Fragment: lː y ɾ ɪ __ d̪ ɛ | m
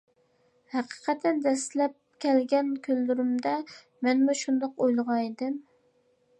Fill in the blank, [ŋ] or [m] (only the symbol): m